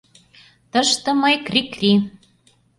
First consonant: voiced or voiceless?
voiceless